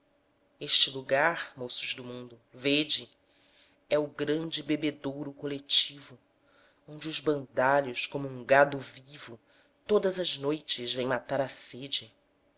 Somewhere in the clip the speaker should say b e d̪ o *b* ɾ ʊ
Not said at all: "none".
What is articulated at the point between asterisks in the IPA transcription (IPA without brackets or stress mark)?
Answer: w